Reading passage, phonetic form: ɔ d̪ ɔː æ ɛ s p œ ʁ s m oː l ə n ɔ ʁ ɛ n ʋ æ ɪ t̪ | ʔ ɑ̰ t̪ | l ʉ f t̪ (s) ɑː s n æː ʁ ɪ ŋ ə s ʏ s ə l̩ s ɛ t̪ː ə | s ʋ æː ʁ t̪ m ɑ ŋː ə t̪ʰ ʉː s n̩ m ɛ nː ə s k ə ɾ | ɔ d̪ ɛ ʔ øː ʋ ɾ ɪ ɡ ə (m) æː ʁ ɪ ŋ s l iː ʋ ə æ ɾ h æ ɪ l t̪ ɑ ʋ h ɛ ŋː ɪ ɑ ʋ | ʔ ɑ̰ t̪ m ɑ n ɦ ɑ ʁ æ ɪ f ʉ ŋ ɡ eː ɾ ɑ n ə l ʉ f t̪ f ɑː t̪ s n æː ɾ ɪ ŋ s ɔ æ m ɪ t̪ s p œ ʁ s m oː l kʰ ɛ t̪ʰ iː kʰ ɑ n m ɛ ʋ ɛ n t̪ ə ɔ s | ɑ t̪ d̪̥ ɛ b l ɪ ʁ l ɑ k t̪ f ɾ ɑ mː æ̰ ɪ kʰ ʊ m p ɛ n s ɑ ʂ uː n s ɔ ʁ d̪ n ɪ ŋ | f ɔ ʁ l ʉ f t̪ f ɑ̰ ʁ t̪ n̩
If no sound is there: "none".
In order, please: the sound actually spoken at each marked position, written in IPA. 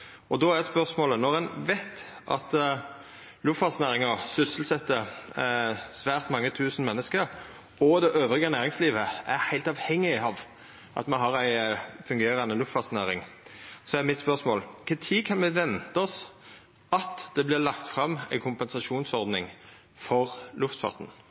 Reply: f, n

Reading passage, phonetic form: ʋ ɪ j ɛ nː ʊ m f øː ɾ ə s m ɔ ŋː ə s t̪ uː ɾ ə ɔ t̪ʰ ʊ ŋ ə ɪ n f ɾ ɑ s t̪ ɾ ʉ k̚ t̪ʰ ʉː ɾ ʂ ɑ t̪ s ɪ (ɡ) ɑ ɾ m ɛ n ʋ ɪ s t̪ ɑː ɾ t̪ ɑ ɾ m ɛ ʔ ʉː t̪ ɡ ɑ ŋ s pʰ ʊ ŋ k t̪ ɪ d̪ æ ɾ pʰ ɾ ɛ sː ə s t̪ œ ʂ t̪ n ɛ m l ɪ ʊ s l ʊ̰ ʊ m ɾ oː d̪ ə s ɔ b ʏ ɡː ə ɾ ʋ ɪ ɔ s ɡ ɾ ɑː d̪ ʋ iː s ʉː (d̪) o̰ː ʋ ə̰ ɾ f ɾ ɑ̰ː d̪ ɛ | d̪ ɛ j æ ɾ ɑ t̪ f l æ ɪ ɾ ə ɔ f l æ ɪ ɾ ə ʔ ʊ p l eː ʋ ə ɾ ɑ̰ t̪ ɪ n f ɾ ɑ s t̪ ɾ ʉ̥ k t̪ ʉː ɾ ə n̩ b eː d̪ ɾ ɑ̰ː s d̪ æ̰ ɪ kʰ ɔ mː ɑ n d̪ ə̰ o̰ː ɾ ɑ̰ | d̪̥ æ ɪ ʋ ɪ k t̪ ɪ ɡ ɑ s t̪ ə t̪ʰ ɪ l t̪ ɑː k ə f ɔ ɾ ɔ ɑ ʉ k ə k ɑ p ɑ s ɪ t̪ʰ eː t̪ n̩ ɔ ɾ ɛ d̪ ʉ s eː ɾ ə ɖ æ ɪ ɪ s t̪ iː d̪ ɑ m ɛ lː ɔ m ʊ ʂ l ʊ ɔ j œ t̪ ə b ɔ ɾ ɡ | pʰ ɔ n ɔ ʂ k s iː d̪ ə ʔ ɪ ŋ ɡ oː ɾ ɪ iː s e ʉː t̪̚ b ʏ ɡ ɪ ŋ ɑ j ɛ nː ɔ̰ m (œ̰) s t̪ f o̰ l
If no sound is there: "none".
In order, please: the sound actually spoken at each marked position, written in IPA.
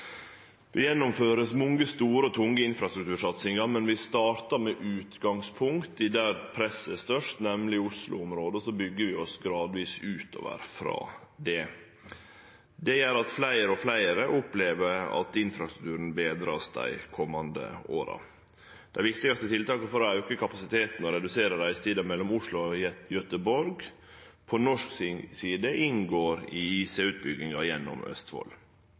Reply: ŋ, t̪, œ̰

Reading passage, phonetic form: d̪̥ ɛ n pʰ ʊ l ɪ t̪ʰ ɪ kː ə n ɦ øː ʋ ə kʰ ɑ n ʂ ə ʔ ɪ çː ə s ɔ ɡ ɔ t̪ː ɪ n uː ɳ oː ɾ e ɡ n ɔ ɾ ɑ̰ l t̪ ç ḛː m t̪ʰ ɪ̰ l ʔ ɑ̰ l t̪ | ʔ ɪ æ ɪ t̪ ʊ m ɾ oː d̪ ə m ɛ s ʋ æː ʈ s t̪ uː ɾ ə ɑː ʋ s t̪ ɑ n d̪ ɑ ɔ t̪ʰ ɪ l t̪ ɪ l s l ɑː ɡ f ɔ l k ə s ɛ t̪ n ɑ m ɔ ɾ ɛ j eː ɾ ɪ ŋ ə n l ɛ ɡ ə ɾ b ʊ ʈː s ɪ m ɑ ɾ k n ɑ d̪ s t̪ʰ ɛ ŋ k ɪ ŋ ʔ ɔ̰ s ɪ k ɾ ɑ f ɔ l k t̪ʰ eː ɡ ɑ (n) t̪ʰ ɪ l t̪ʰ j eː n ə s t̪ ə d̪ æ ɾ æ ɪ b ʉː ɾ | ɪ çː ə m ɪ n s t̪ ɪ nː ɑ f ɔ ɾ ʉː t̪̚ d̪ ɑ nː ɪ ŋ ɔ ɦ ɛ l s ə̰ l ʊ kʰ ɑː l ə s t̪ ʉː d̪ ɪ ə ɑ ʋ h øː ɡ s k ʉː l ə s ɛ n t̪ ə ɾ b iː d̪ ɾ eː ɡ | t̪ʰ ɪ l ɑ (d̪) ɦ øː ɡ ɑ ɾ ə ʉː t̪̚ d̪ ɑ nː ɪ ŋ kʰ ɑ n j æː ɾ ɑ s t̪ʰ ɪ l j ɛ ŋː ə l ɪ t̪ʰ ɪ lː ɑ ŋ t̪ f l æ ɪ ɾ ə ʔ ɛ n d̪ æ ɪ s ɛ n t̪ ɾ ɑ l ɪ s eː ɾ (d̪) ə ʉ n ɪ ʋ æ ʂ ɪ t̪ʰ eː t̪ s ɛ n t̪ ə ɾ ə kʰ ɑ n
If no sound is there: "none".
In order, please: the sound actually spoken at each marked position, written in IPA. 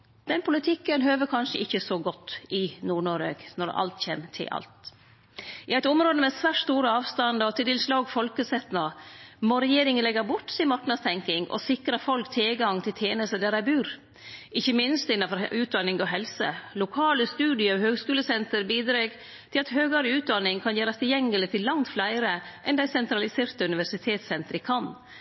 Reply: ŋ, t̪, t̪

